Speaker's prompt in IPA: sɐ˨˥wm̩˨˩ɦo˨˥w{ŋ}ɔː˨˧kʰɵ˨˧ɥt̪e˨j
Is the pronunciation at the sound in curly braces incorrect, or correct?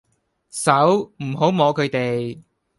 incorrect: m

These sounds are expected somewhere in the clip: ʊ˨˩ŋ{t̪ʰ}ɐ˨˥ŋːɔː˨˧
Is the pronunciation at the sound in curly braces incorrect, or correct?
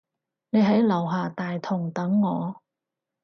incorrect: t̪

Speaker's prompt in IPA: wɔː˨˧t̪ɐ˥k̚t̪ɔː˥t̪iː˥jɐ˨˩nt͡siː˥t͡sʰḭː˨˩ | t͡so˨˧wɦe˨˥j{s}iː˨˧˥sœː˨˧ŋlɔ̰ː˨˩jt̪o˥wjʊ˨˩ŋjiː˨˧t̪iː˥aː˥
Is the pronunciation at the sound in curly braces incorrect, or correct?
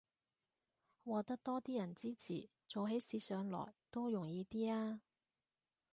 correct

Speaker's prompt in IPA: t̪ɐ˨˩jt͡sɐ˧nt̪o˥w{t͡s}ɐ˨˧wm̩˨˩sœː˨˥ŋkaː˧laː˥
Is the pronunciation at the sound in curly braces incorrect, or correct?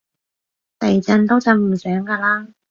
correct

